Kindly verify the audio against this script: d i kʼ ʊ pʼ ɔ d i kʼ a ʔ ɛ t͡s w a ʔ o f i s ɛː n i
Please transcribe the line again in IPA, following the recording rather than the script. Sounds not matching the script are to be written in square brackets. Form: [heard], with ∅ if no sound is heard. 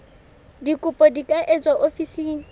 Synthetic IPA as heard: d i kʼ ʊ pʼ ɔ d i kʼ a ʔ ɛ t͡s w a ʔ o f i s [iː] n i